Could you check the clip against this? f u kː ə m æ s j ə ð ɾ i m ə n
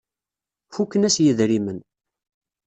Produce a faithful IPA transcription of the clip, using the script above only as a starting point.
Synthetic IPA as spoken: f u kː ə n æ s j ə ð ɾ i m ə n